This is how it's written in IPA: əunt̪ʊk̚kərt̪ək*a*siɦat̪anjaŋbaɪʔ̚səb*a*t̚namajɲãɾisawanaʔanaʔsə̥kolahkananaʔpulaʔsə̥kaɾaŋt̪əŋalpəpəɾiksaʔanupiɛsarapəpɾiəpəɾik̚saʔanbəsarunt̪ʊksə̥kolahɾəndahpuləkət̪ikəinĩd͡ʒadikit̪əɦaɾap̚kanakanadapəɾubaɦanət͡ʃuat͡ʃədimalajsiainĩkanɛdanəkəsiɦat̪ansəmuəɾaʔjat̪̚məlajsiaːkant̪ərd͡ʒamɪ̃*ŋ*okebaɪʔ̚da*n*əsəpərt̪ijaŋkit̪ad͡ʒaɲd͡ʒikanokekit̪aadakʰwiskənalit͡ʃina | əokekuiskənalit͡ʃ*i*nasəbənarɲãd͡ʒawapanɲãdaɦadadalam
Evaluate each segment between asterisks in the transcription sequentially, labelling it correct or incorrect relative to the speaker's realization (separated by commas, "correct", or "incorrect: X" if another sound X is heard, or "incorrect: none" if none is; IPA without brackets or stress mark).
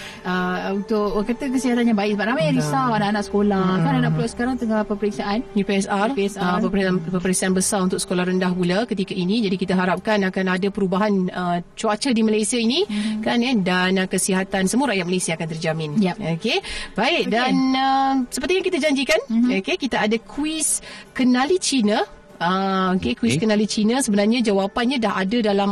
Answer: incorrect: ə, correct, incorrect: n, correct, correct